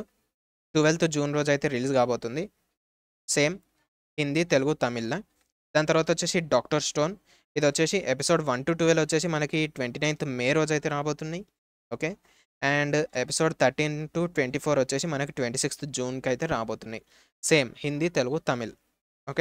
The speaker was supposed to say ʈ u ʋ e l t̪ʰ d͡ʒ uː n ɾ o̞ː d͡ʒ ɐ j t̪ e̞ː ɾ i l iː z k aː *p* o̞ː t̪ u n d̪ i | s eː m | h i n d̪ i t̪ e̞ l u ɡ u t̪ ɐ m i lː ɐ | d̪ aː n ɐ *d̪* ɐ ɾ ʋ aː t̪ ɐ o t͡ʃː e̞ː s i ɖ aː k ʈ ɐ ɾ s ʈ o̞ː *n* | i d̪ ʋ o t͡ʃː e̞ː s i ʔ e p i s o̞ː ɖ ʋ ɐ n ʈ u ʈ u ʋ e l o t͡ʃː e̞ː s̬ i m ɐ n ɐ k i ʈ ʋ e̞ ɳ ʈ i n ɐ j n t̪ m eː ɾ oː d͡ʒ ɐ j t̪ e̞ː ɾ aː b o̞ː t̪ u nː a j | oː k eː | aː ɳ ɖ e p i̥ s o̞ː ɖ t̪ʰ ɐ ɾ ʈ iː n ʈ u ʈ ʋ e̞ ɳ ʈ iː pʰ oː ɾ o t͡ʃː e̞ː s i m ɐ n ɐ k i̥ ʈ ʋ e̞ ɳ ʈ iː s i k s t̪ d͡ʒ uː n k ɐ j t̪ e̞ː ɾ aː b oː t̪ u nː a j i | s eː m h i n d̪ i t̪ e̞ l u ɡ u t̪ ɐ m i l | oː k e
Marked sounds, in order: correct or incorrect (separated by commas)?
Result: incorrect, incorrect, correct